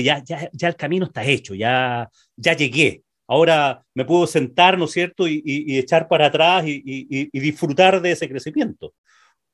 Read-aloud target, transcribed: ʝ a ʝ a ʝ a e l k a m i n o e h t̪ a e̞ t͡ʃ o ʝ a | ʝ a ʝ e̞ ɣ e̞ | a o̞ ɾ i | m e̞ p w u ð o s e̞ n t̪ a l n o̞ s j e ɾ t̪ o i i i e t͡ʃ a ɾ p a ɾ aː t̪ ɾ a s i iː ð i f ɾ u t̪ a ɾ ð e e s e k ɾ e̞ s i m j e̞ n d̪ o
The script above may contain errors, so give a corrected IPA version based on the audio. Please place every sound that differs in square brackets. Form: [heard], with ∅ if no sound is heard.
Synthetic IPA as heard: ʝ a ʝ a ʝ a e l k a m i n o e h t̪ a e̞ t͡ʃ o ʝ a | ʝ a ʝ e̞ ɣ e̞ | a o̞ ɾ [a] | m e̞ p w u ð o s e̞ n t̪ a [ɾ] n o̞ s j e ɾ t̪ o i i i e t͡ʃ a ɾ p a ɾ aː t̪ ɾ a s i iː ð i f ɾ u t̪ a ɾ ð e e s e k ɾ e̞ s i m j e̞ n [t̪] o